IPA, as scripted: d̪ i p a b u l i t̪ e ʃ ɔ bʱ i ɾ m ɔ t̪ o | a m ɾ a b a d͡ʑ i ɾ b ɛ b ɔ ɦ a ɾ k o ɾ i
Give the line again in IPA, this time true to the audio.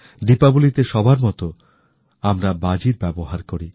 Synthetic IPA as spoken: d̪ i p a b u l i t̪ e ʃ ɔ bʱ a ɾ m ɔ t̪ o | a m ɾ a b a d͡ʑ i ɾ b ɛ b o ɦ a ɾ k o ɾ i

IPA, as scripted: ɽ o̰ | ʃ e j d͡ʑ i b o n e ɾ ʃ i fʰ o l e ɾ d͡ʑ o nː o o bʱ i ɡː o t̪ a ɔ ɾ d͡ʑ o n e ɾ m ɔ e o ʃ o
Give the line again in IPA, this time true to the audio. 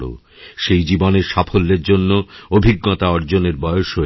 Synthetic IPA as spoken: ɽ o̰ | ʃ e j d͡ʑ i b o n e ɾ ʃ a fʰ o lː e ɾ d͡ʑ o nː o o bʱ i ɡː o t̪ a ɔ ɾ d͡ʑ o n e ɾ b ɔ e o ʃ o

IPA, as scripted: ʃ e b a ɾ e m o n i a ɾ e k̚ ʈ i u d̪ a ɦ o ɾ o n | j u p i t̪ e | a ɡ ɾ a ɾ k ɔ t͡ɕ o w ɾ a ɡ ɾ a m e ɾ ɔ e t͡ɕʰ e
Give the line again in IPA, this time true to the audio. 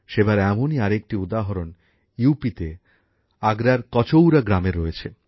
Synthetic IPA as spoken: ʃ e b a ɾ ɛ m o n i a ɾ e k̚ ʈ i u d̪ a ɦ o ɾ o n | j u p i t̪ e | a ɡ ɾ a ɾ k ɔ t͡ɕ o w ɾ a ɡ ɾ a m e ɾ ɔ e t͡ɕʰ e

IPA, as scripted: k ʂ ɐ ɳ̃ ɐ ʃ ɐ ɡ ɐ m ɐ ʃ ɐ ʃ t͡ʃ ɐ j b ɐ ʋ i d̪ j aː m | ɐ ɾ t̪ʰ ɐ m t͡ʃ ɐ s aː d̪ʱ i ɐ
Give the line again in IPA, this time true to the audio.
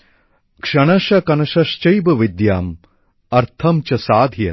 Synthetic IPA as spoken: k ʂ ɐ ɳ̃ ɐ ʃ ɐ k ɐ n ɐ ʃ ɐ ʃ t͡ʃ ɐ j b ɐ ʋ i d̪ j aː m | ɐ ɾ t̪ʰ ɐ m t͡ʃ ɐ s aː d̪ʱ j ɐ

